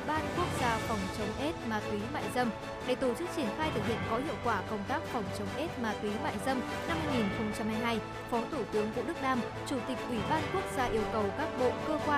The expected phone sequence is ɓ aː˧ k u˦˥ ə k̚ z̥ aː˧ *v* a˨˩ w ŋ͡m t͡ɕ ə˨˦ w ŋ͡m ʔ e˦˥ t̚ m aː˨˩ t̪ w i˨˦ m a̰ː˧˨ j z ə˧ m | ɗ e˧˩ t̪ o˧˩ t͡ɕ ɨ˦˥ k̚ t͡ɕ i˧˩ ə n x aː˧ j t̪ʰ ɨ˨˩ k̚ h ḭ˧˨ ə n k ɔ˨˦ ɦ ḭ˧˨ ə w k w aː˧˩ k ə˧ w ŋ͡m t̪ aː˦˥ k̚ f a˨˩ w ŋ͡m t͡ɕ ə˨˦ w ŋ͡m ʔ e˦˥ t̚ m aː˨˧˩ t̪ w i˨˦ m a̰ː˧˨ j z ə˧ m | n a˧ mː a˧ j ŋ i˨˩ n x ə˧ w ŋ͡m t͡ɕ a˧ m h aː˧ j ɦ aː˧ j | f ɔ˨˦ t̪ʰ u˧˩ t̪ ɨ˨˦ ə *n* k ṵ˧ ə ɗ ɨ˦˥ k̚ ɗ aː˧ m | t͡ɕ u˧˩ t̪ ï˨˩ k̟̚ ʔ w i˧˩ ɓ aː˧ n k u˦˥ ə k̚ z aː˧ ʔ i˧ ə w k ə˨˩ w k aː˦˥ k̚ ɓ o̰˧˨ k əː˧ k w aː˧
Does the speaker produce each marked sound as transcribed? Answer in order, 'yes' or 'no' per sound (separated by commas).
no, no